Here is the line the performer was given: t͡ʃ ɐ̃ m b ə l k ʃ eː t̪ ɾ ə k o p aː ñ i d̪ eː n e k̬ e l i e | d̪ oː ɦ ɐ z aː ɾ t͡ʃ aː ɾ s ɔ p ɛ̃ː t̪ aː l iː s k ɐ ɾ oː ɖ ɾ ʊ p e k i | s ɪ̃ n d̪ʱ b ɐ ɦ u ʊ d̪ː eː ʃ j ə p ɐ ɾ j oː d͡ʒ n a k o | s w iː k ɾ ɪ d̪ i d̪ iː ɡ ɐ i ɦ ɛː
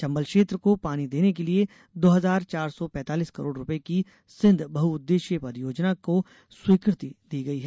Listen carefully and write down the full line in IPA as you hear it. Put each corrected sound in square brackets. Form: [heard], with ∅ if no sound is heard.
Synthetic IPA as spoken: t͡ʃ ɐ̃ m b ə l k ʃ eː t̪ ɾ ə k o p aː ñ i d̪ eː n e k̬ e l i e | d̪ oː ɦ ɐ z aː ɾ t͡ʃ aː ɾ s ɔ p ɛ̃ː t̪ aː l iː s k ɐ ɾ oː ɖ ɾ ʊ p e k i | s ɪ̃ n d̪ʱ b ɐ ɦ u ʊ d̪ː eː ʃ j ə p ɐ ɾ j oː d͡ʒ n a k o | s w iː k ɾ ɪ [t̪] i d̪ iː ɡ ɐ i ɦ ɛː